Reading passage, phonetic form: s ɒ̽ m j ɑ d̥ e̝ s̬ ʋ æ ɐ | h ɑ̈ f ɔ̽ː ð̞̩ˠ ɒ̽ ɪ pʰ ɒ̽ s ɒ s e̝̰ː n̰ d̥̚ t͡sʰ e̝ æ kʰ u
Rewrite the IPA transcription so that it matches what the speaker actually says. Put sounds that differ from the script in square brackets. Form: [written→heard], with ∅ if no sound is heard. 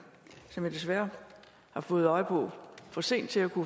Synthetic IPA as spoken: s ɒ̽ m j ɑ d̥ e̝ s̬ ʋ æ ɐ | h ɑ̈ f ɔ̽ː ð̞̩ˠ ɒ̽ ɪ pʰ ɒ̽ [s→f] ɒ s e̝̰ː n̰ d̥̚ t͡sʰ e̝ æ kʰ u